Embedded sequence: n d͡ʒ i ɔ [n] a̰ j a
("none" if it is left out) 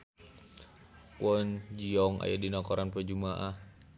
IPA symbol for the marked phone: ŋ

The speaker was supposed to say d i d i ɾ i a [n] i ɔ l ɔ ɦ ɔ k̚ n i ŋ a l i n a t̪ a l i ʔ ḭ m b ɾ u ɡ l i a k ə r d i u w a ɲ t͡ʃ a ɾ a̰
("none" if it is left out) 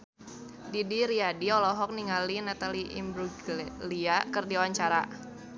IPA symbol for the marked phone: d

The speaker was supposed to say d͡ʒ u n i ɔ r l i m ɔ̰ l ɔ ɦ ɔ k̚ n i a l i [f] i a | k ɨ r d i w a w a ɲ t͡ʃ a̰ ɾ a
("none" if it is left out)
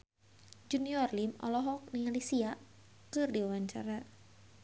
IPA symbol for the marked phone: s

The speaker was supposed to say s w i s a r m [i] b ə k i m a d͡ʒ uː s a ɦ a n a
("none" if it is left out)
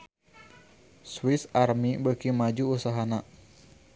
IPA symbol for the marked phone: i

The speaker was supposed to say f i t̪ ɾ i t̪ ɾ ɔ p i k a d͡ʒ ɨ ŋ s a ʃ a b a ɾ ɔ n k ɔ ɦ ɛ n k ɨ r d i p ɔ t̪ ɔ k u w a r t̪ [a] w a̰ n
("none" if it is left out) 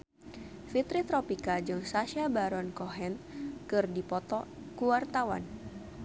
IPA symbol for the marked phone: a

